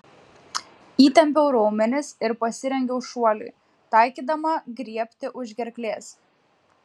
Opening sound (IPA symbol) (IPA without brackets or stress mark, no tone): iː